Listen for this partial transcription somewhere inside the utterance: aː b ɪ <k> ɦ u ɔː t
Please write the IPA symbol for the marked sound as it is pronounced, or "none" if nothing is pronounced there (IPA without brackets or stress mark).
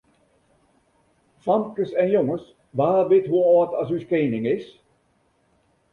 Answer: t